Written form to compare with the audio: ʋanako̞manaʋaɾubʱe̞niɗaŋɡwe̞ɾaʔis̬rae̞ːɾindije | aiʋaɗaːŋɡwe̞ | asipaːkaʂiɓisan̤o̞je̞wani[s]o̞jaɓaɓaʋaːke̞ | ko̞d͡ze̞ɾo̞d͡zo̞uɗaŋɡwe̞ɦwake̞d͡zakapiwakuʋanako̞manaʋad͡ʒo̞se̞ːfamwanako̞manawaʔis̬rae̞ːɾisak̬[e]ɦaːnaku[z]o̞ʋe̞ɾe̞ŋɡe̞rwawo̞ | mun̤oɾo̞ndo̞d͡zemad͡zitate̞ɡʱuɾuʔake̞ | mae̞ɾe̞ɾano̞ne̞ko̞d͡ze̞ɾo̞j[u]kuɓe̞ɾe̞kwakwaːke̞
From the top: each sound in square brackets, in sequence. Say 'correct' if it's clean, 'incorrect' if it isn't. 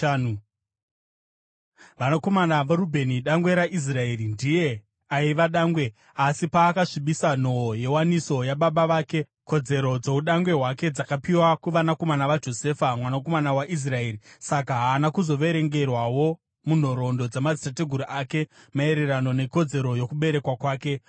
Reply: correct, incorrect, correct, incorrect

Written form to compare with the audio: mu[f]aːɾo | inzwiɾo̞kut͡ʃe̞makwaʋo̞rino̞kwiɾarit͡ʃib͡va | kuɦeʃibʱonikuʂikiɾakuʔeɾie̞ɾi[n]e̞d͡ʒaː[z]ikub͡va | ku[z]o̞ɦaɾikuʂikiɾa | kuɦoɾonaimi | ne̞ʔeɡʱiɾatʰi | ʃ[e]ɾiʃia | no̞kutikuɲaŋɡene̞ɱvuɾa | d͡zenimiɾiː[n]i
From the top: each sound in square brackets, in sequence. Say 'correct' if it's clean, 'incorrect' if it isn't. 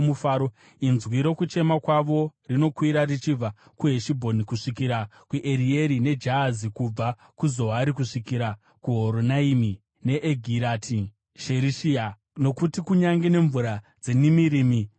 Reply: correct, correct, correct, correct, correct, incorrect

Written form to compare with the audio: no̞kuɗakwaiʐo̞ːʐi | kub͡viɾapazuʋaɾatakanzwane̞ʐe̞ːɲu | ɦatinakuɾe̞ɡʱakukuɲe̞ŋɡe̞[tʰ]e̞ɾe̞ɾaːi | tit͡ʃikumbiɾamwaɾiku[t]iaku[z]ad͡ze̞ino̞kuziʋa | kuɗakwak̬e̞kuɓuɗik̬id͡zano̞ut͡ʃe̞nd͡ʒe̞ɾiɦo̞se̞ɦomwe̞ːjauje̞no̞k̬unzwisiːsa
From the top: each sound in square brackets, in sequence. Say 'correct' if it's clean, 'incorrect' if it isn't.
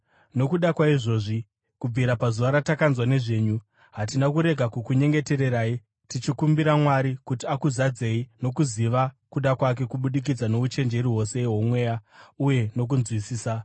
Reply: incorrect, correct, correct

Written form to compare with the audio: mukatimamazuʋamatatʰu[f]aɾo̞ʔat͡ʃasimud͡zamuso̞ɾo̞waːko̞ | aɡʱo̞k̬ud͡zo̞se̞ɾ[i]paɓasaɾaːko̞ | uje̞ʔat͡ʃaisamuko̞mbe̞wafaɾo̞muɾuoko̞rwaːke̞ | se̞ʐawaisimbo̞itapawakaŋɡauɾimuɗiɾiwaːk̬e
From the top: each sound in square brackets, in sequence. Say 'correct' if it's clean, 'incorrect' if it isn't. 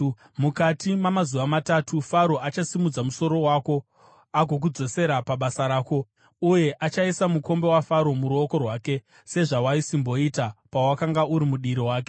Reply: correct, incorrect

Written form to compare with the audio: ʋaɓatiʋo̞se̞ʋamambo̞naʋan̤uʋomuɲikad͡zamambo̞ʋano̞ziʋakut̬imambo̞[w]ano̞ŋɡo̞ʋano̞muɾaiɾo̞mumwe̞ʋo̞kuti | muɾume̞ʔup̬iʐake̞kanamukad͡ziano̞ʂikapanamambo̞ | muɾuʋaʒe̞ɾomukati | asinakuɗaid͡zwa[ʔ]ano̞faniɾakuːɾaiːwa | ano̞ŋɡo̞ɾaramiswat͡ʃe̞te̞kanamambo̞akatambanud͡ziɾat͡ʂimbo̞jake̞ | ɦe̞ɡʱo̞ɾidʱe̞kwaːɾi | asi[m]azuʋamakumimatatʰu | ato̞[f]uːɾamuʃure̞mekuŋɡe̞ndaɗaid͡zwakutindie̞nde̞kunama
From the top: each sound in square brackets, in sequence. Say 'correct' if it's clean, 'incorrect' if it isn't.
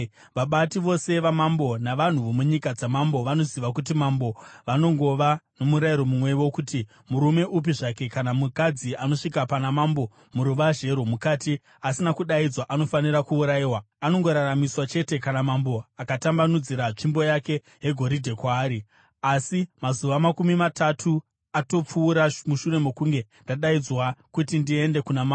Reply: incorrect, correct, correct, incorrect

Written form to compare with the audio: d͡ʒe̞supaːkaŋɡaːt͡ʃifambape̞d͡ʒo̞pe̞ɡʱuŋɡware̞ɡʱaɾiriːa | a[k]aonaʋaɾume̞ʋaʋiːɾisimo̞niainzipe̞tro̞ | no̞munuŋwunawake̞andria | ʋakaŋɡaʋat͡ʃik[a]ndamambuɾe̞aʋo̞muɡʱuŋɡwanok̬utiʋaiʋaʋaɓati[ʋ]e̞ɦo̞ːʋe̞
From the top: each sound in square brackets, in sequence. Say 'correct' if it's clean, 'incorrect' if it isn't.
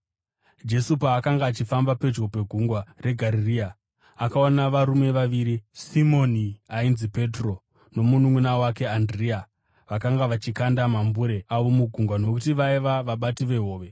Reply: correct, correct, correct

